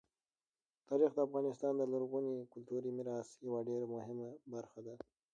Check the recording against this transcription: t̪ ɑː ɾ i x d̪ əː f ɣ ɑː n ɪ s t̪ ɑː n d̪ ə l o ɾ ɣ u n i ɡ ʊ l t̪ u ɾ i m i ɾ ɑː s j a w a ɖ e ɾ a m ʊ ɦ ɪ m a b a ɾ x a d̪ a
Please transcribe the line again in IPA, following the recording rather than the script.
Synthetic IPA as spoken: t̪ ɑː ɾ i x d̪ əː f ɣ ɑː n ɪ s t̪ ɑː n d̪ ə l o ɾ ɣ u n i k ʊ l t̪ u ɾ i m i ɾ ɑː s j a w a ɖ e ɾ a m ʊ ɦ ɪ m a b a ɾ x a d̪ a